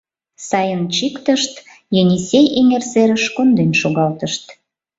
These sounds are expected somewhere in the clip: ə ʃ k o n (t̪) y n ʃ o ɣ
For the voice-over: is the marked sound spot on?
no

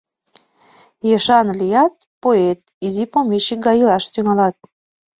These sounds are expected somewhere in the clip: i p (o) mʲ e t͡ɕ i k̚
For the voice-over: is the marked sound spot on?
yes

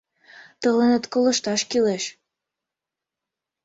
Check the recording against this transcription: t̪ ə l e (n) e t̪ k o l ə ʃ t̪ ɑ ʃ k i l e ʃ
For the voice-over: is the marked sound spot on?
yes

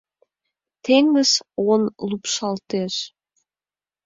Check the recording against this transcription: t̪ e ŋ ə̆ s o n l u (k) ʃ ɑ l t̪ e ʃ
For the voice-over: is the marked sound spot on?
no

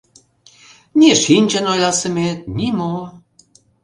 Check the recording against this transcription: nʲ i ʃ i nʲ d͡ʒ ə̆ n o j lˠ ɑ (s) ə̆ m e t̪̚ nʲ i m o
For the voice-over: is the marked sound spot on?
yes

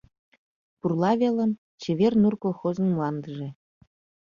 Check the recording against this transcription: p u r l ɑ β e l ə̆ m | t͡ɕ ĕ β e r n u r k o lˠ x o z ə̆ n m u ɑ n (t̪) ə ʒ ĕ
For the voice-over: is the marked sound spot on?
no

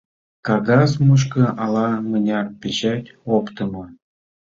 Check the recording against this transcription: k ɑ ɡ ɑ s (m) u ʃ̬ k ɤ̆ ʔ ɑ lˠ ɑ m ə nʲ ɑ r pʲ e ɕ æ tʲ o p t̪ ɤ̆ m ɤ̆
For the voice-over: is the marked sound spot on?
yes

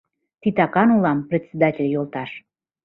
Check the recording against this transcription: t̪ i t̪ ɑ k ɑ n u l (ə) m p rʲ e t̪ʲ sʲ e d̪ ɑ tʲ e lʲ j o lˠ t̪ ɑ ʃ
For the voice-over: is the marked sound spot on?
no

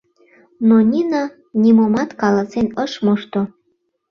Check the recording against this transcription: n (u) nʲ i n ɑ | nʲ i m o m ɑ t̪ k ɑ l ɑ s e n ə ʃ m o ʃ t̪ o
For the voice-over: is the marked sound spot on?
no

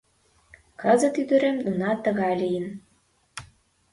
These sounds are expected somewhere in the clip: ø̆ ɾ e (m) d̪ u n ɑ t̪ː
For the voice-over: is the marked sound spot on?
yes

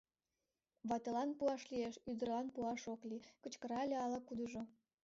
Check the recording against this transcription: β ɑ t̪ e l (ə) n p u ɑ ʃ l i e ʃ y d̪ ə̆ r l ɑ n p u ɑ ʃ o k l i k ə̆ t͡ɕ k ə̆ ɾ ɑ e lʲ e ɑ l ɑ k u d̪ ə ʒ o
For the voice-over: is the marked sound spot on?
no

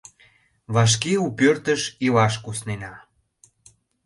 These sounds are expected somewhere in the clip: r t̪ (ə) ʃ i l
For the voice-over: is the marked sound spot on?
yes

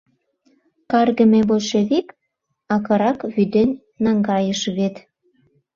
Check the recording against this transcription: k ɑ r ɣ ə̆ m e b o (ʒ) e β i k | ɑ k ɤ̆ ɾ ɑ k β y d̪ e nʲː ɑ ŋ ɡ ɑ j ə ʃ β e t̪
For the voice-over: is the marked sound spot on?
no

